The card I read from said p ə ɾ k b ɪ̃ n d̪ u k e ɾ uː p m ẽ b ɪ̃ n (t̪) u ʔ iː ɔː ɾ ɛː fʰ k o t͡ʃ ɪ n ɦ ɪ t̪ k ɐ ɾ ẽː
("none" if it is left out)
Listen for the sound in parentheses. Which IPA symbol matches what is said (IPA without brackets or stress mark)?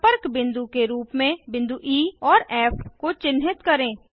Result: d̪